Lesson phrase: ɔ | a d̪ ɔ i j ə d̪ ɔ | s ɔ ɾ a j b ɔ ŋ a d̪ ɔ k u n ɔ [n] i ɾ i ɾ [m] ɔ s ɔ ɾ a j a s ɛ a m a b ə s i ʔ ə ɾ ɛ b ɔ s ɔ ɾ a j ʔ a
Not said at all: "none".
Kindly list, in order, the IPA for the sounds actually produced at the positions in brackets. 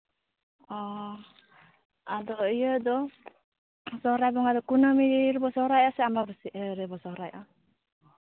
m, b

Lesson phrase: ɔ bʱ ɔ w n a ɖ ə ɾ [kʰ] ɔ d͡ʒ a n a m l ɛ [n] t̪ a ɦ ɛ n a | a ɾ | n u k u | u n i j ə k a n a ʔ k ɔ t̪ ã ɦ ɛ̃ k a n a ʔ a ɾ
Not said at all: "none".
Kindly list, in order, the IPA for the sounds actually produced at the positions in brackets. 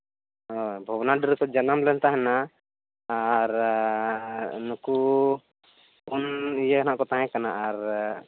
k, n

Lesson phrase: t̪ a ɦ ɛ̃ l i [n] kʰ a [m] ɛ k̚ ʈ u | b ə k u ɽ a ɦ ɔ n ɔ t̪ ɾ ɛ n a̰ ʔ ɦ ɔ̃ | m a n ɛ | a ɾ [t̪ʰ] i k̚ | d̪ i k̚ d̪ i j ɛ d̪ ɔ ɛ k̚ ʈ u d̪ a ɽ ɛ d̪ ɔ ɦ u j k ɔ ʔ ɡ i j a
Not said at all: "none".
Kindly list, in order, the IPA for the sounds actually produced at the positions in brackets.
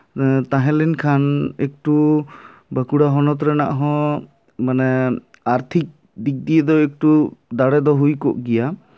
n, n, t̪ʰ

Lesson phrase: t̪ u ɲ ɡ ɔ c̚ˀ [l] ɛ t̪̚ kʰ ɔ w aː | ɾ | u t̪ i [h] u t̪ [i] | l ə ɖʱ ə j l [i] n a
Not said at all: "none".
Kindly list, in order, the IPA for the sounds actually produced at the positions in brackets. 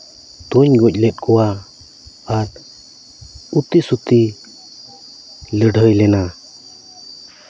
l, s, i, ɛ

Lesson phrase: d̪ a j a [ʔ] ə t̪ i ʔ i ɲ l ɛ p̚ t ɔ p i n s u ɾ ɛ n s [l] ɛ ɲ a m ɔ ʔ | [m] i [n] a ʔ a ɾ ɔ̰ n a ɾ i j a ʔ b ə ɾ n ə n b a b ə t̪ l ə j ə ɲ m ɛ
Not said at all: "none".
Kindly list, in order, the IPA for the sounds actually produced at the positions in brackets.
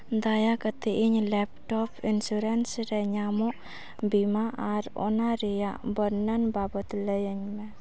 k, ɾ, b, m

